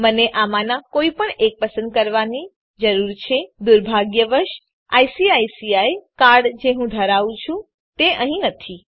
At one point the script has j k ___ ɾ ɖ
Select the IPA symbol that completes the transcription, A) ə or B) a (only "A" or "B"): B